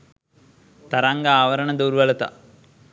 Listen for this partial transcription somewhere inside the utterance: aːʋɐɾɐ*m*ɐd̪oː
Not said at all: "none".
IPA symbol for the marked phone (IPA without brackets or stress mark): ɳ